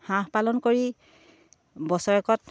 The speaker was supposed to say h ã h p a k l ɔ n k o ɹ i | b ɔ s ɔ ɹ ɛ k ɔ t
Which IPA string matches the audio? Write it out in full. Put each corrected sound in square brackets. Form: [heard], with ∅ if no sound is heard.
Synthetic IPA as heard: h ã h p a [∅] l ɔ n k o ɹ i | b ɔ s ɔ ɹ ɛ k ɔ t